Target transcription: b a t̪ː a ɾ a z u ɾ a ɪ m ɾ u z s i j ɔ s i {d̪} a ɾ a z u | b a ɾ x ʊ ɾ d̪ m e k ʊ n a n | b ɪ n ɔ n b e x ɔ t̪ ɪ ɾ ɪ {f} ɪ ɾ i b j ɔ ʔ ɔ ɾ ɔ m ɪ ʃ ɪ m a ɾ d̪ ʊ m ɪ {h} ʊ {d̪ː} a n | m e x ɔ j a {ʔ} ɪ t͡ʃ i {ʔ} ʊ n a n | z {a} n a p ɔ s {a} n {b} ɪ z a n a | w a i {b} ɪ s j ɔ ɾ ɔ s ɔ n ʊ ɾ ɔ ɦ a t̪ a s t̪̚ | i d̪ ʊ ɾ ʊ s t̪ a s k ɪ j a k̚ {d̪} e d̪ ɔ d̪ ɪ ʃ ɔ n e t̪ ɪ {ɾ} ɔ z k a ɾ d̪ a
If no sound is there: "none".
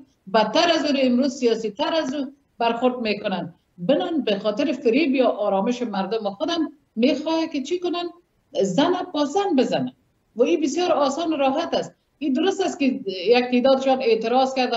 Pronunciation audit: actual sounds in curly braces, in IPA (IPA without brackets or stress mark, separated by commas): t̪, f, x, d̪, k, k, a, a, b, b, t̪, ɾ